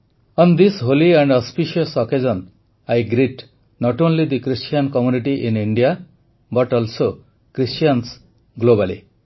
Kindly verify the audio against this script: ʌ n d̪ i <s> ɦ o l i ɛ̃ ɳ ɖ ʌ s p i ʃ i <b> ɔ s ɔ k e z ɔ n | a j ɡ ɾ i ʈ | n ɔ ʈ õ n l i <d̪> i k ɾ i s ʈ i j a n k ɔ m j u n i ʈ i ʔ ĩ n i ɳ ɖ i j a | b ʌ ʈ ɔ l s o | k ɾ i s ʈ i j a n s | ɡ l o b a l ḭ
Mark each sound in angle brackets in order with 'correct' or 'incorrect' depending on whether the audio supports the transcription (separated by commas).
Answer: correct, incorrect, correct